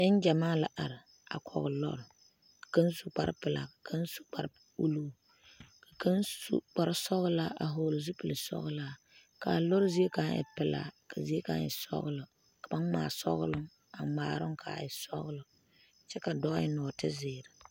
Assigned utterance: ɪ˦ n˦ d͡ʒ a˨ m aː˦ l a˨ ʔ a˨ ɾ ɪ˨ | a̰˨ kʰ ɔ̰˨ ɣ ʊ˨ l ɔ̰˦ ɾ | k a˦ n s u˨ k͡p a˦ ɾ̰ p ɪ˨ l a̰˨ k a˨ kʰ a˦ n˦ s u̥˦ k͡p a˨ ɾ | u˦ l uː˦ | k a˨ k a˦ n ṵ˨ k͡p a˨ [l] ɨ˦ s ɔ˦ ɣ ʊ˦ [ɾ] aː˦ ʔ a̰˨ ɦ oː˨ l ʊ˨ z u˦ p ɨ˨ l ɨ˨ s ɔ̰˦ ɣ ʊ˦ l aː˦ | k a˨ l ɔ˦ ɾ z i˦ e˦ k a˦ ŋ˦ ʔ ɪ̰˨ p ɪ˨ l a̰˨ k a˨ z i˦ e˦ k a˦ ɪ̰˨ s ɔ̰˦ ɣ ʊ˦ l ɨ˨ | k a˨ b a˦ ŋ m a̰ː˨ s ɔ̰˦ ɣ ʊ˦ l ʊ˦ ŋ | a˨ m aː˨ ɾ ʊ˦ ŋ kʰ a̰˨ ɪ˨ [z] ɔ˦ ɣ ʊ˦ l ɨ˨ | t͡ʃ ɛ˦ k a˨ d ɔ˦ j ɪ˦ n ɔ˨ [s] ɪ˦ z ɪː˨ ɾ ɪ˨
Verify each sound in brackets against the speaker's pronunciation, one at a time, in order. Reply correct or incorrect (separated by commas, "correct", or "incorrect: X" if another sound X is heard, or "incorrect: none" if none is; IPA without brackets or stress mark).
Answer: incorrect: ɾ, incorrect: l, incorrect: s, incorrect: t